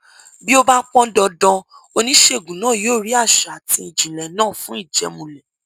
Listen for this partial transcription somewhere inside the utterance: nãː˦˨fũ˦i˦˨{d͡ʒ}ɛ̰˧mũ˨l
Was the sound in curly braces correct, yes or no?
yes